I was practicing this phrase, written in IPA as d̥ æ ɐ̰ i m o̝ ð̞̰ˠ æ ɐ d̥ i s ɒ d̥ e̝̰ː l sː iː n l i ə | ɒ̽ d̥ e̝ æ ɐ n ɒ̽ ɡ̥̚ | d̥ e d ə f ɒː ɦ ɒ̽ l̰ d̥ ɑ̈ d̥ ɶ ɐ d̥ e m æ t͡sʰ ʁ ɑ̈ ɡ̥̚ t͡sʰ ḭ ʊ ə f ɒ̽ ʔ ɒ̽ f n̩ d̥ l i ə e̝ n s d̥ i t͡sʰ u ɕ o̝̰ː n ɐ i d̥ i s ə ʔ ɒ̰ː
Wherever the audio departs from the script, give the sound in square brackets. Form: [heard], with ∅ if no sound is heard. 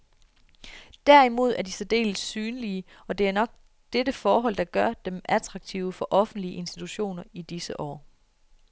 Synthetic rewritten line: d̥ æ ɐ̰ i m o̝ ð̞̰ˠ æ ɐ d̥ i s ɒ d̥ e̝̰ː l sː [yː] n l i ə | ɒ̽ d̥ e̝ æ ɐ n ɒ̽ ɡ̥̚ | d̥ e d ə f ɒː ɦ ɒ̽ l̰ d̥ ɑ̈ [ɡ̥] ɶ ɐ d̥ e m æ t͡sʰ ʁ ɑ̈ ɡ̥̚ t͡sʰ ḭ ʊ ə f ɒ̽ ʔ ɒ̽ f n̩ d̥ l i ə e̝ n s d̥ i t͡sʰ u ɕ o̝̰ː n ɐ i d̥ i s ə ʔ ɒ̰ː